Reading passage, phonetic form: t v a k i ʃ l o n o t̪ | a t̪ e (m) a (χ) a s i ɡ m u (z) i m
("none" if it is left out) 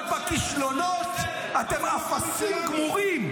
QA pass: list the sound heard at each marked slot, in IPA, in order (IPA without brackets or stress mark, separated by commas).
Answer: m, f, ʁ